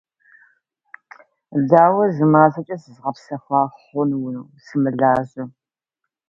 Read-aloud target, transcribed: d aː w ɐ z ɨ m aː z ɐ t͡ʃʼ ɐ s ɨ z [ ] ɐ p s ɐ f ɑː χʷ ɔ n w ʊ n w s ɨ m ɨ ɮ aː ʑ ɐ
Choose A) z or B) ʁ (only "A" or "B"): B